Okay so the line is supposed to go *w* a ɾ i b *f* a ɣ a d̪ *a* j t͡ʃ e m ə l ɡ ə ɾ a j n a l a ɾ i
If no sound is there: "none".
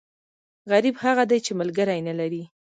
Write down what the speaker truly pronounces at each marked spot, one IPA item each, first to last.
ɣ, h, a

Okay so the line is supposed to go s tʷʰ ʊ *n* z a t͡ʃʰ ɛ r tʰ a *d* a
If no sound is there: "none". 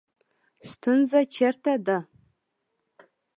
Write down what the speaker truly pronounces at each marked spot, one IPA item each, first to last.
n, d

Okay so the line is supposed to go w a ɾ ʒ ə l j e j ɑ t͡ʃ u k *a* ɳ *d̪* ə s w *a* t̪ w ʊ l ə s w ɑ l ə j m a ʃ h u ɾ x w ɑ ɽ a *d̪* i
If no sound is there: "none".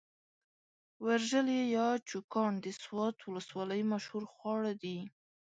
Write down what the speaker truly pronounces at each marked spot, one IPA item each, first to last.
ɑ, d̪, ɑ, d̪

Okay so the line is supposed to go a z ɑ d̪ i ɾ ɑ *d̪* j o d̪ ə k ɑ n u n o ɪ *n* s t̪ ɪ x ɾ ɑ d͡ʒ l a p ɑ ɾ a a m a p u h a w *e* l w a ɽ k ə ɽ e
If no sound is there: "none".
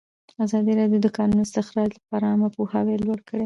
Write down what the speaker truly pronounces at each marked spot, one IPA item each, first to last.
d̪, none, e

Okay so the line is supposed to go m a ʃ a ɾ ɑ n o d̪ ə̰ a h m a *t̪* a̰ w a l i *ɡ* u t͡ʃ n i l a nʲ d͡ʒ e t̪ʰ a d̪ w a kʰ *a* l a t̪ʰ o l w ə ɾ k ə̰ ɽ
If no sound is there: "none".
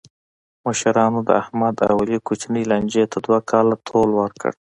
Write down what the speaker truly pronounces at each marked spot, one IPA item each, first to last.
d̪, k, ɑ

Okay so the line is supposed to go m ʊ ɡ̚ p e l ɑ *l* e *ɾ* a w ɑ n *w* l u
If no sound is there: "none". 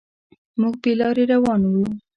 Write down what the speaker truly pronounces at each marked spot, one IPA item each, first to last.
ɾ, ɾ, w

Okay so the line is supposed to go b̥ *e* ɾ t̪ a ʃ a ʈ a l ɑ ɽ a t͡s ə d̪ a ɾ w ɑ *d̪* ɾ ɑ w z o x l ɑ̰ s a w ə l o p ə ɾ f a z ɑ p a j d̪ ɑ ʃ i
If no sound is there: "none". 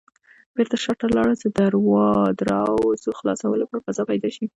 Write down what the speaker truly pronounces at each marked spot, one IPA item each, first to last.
e, d̪

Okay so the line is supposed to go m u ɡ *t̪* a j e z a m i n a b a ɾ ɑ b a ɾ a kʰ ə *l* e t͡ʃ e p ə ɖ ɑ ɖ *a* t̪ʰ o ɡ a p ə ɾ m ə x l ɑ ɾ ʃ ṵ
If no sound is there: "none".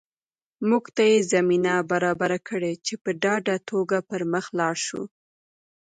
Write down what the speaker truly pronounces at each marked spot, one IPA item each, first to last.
t̪, ɽ, a

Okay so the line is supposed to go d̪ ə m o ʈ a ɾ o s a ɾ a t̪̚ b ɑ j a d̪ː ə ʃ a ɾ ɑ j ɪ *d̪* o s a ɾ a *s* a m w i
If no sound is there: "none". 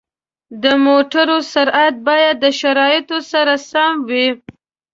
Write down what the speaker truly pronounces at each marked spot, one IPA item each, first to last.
t̪, s

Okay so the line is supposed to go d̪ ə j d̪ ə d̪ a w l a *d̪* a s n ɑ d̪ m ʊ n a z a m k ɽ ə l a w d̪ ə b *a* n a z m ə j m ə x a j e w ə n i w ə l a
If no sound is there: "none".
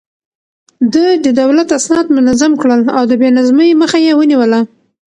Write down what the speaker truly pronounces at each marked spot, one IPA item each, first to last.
t̪, e

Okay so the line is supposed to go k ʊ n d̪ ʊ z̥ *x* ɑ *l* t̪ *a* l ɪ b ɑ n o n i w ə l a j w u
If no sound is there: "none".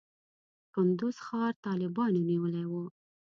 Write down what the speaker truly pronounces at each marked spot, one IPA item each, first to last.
x, ɾ, ɑ

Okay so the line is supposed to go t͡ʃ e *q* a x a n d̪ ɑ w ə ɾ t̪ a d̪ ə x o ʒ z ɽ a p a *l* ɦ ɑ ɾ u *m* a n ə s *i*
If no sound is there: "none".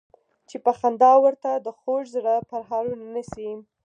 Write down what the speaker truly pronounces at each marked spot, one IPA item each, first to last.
p, ɾ, n, i

